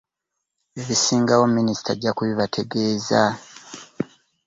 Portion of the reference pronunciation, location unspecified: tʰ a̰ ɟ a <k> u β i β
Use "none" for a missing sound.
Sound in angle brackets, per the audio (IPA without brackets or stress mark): k